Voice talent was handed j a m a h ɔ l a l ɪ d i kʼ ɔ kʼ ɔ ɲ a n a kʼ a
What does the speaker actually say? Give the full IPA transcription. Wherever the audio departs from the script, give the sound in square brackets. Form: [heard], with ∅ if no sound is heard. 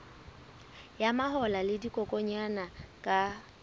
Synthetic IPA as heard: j a m a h ɔ l a l ɪ d i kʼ ɔ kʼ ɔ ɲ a n a kʼ a